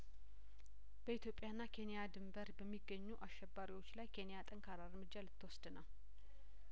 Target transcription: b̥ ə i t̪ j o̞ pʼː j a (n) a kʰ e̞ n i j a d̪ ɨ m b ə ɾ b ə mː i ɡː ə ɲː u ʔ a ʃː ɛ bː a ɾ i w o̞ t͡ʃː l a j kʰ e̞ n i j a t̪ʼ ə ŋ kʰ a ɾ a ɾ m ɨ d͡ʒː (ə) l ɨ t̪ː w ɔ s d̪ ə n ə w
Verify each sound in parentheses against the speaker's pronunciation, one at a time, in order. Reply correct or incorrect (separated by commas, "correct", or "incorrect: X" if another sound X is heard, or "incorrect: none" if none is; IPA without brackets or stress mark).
incorrect: nː, incorrect: a